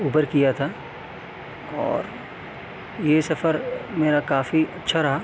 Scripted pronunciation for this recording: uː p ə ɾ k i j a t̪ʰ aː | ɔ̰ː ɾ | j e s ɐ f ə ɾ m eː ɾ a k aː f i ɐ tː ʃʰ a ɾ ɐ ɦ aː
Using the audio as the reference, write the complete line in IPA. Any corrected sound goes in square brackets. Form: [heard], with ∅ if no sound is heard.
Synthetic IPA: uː [b] ə ɾ k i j a t̪ʰ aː | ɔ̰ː ɾ | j e s ɐ f ə ɾ m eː ɾ a k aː f i ɐ tː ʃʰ a ɾ ɐ ɦ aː